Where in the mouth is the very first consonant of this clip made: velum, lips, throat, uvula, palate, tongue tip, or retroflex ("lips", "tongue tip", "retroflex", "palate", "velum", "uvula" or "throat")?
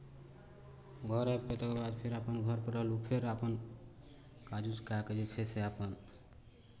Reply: velum